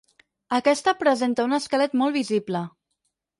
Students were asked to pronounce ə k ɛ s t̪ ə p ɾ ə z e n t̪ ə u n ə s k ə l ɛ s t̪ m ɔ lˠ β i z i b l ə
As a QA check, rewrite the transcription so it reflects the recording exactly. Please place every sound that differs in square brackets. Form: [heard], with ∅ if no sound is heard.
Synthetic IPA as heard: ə k ɛ s t̪ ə p ɾ ə z e n t̪ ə u n ə s k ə l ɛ [∅] t̪ m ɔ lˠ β i z i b l ə